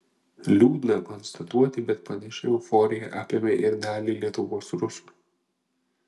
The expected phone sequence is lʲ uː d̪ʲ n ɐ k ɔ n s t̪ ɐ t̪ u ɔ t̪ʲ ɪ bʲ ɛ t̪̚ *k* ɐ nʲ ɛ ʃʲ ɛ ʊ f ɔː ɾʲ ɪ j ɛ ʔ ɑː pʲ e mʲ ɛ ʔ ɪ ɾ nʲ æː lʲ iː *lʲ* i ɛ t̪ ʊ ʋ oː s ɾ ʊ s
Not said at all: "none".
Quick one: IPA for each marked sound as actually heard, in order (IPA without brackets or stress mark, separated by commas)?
p, lʲ